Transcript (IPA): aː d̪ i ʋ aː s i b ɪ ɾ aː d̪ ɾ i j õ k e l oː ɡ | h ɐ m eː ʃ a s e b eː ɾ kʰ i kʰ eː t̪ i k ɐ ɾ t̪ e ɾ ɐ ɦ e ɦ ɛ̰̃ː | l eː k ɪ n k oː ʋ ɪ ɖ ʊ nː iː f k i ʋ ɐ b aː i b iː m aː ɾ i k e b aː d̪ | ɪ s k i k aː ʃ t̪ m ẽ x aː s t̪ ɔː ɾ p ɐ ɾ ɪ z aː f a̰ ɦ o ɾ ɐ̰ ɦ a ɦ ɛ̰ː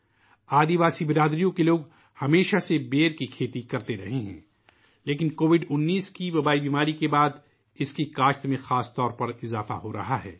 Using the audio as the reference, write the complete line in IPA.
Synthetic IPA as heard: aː d̪ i ʋ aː s i b ɪ ɾ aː d̪ ɾ i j õ k e l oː ɡ | h ɐ m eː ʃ a s e b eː ɾ k i kʰ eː t̪ i k ɐ ɾ t̪ e ɾ ɐ ɦ e ɦ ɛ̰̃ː | l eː k ɪ n k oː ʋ ɪ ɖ ʊ nː iː s k i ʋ ɐ b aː i b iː m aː ɾ i k e b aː d̪ | ɪ s k i k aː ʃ t̪ m ẽ x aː s t̪ ɔː ɾ p ɐ ɾ ɪ z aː f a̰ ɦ o ɾ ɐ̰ ɦ a ɦ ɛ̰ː